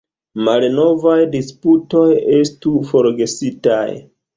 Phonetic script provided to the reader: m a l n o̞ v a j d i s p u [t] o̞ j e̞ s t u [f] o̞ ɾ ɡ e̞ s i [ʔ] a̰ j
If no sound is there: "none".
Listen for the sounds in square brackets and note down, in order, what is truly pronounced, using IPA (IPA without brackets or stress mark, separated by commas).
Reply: t, f, t